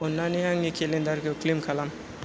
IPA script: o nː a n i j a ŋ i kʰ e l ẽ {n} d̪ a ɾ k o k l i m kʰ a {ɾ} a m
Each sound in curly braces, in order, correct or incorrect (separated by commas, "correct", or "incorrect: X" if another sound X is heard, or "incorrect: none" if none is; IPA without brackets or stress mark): correct, incorrect: l